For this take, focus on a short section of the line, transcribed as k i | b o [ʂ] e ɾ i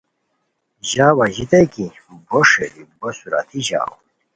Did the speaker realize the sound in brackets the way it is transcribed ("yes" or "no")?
yes